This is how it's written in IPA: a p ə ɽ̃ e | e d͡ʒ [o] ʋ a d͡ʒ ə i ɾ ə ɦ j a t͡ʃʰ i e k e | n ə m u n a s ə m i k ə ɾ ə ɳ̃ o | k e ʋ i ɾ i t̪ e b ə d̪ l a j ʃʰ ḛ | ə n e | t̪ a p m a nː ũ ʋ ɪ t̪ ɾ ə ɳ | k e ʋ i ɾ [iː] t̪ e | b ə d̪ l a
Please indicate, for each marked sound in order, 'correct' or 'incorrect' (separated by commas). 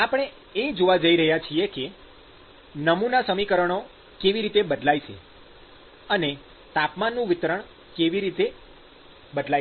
correct, incorrect